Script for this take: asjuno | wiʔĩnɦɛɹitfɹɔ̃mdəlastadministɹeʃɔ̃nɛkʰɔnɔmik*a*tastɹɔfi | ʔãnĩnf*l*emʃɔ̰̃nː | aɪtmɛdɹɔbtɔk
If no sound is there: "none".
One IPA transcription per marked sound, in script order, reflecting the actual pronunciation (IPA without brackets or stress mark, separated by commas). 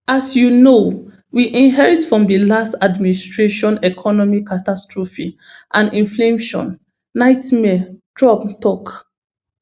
a, l